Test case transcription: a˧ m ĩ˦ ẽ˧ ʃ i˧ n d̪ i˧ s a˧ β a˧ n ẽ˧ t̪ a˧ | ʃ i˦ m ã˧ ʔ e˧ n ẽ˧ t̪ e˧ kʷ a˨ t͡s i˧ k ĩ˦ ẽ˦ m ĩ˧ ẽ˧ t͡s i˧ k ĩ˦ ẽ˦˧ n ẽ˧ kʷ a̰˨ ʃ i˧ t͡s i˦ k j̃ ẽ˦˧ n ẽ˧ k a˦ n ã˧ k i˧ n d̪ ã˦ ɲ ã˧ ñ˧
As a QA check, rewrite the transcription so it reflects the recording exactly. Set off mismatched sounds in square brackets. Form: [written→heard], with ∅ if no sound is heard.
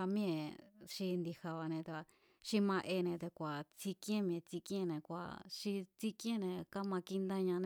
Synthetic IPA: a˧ m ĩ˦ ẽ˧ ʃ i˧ n d̪ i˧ [s→h] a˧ β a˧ n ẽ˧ t̪ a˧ | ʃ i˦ m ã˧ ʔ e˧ n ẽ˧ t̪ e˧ kʷ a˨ t͡s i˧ k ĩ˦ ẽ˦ m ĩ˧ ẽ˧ t͡s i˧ k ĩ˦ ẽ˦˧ n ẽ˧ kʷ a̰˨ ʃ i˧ t͡s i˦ k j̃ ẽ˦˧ n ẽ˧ k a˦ [n→m] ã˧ k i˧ n d̪ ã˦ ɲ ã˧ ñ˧